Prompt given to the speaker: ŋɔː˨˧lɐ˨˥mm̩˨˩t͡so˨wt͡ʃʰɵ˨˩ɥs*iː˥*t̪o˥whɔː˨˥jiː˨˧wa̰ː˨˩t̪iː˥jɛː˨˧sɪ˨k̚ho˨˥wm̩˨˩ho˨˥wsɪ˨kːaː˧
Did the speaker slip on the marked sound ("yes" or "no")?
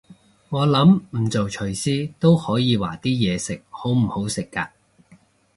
no